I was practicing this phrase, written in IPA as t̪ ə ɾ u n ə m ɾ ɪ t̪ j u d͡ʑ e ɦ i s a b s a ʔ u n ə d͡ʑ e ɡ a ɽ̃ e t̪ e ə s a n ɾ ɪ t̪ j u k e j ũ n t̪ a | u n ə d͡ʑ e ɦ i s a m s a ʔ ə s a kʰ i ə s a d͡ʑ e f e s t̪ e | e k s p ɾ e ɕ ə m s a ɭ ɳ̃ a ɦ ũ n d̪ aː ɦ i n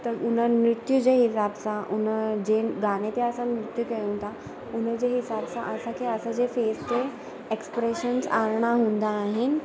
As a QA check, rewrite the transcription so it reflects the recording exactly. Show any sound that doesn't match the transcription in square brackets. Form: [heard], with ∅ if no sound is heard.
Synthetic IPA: t̪ ə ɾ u n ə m ɾ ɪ t̪ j u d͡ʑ e ɦ i s a b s a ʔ u n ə d͡ʑ e ɡ a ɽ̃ e t̪ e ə s a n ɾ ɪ t̪ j u k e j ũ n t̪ a | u n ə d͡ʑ e ɦ i s a [b] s a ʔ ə s a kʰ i ə s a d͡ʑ e f e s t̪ e | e k s p ɾ e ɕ ə [n] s a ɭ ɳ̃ a ɦ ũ n d̪ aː ɦ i n